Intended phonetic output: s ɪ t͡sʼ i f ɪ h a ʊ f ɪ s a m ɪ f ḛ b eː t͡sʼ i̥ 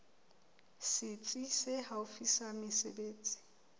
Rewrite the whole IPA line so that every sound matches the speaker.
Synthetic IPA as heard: s ɪ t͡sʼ i s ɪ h a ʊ f i s a m ɪ s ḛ b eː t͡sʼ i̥

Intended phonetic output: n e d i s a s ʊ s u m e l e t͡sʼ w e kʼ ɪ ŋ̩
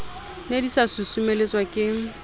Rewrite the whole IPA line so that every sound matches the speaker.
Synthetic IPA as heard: n e d i s a s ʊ s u m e l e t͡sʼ w a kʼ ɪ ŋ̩

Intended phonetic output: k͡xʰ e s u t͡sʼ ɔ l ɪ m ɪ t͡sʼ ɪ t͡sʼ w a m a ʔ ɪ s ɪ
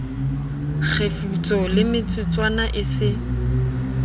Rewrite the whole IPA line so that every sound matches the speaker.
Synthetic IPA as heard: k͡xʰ e f u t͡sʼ ɔ l ɪ m ɪ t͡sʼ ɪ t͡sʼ w a n a ʔ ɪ s ɪ

